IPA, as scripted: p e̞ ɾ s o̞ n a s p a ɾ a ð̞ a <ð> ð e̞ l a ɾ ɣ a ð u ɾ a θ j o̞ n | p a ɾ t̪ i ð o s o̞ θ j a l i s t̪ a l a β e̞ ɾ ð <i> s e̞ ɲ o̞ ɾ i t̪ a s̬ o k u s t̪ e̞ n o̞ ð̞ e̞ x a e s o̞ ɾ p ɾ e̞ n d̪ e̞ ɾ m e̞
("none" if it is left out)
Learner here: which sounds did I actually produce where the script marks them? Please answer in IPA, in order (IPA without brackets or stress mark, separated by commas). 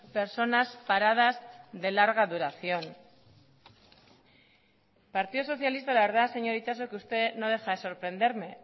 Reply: z, a